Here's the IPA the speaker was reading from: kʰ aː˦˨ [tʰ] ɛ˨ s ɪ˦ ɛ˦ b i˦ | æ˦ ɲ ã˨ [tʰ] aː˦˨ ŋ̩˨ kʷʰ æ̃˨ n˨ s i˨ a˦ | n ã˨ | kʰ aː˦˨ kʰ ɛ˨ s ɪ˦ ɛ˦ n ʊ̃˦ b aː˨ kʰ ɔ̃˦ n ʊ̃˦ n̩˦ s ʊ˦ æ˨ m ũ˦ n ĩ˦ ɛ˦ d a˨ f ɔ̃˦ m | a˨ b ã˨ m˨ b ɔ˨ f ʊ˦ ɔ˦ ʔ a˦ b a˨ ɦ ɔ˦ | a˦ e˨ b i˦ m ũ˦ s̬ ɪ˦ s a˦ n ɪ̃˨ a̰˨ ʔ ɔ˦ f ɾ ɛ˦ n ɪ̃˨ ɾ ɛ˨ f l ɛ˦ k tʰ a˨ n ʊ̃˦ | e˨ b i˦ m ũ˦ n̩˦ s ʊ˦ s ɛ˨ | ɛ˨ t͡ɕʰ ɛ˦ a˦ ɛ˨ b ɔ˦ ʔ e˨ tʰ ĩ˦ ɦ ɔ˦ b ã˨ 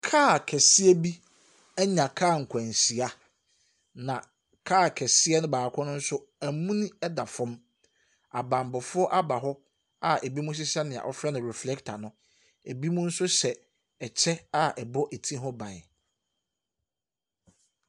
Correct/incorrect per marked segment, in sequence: incorrect, incorrect

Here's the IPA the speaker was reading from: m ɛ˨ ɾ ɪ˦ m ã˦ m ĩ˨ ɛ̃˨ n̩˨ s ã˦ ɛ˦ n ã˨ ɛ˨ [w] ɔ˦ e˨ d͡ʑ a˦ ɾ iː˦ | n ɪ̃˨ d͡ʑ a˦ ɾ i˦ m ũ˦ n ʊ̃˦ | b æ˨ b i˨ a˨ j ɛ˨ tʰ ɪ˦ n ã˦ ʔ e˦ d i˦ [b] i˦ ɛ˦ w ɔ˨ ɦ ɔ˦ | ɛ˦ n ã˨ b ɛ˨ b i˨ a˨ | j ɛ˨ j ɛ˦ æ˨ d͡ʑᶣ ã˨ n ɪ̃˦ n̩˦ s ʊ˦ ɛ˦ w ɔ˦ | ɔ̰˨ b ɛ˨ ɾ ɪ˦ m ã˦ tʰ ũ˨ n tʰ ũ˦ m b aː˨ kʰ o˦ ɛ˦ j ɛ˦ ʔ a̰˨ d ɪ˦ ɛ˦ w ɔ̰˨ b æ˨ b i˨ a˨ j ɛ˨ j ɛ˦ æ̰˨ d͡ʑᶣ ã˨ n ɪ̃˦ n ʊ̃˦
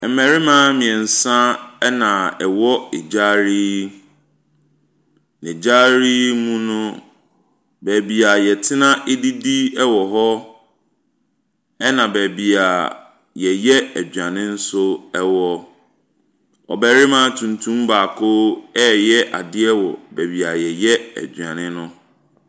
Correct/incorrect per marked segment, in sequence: correct, incorrect

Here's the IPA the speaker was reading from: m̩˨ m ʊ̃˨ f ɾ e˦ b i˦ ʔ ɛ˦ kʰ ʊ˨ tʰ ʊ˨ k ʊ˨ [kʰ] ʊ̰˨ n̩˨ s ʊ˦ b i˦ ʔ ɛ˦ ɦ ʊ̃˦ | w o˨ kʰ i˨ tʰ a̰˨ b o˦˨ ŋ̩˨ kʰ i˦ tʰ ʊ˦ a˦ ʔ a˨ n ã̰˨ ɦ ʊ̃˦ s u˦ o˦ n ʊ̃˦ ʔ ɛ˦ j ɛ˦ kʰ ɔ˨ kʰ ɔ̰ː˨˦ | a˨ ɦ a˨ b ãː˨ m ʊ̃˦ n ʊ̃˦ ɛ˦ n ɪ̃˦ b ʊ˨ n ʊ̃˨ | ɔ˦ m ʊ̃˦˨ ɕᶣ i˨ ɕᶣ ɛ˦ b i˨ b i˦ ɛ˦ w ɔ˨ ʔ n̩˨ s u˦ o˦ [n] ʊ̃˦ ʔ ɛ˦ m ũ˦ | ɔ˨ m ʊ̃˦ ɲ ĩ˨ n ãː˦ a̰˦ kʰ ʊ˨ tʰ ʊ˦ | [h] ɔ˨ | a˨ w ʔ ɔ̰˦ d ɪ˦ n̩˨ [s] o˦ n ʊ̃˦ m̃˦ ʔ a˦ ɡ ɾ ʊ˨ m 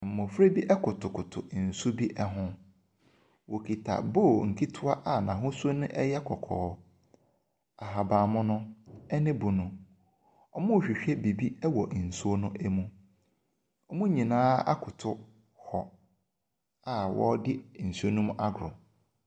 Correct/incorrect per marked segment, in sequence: incorrect, correct, correct, correct

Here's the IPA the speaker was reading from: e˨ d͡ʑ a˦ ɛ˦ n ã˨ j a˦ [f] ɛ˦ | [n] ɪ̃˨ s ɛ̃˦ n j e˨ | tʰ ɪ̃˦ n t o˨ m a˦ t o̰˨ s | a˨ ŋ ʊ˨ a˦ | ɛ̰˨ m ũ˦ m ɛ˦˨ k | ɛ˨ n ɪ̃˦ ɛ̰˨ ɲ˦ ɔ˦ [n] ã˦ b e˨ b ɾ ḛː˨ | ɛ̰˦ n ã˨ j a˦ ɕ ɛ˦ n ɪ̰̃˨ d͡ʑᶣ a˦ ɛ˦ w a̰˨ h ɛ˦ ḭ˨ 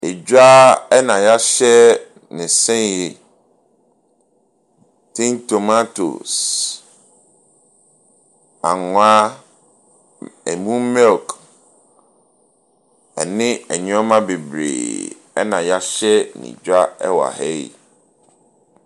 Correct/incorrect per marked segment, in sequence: incorrect, correct, incorrect

